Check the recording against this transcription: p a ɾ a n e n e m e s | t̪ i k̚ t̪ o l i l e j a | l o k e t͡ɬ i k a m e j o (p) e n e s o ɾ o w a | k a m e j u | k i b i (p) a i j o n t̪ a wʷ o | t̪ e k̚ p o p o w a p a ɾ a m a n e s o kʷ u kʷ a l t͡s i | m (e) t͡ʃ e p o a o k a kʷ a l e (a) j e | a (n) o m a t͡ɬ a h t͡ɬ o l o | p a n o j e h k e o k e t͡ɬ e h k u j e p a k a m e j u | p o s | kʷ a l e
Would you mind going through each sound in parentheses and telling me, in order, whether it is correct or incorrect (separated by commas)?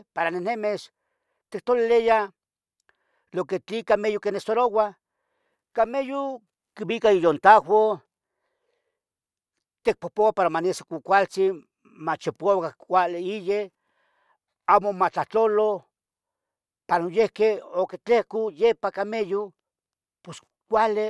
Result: incorrect, incorrect, incorrect, incorrect, incorrect